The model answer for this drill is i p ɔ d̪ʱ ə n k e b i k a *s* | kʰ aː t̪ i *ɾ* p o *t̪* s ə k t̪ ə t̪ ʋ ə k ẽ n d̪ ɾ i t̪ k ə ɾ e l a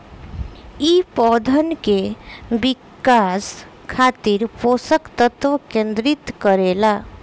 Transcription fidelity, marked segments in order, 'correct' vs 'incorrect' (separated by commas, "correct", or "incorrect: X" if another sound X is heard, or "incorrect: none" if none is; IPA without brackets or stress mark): correct, correct, incorrect: none